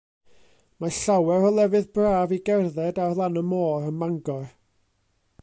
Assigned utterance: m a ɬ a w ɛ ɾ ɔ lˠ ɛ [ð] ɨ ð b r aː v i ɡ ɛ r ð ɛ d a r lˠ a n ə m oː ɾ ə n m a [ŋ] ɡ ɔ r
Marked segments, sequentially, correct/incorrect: incorrect, correct

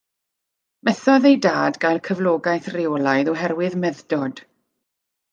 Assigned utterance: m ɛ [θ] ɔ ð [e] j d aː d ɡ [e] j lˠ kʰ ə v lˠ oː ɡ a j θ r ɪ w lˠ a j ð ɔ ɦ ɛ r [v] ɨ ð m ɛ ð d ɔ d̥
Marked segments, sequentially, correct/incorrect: correct, correct, incorrect, incorrect

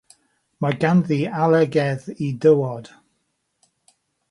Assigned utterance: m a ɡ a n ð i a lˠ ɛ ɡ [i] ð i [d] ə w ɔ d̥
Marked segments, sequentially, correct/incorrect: incorrect, correct

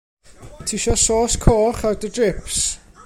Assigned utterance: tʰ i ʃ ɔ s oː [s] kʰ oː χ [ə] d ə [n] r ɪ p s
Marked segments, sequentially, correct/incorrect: correct, incorrect, incorrect

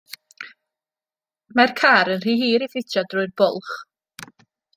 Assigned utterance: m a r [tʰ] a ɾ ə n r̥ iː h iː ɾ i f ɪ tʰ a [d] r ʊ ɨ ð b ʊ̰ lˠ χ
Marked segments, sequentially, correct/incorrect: incorrect, correct

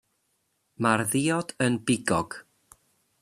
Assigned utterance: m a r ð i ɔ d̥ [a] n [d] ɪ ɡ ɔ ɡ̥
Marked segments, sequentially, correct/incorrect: incorrect, incorrect

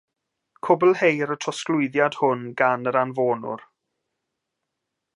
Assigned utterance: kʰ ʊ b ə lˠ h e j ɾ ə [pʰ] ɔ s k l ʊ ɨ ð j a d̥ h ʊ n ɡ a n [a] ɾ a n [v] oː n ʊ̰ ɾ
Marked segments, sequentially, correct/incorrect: incorrect, incorrect, correct

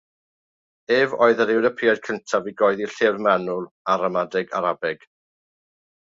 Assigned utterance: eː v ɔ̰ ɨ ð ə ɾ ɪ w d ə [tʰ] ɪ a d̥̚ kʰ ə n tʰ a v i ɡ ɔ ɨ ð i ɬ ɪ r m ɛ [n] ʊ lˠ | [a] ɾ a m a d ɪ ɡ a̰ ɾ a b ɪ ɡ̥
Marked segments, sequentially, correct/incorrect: incorrect, correct, correct

